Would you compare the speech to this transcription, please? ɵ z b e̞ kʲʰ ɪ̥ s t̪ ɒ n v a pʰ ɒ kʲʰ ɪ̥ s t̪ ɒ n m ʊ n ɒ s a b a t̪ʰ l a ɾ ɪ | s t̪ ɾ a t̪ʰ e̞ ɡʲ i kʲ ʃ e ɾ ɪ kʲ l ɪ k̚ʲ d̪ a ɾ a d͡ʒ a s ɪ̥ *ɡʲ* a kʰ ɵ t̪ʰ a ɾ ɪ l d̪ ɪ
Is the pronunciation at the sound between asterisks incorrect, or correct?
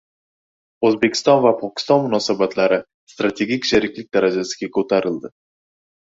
correct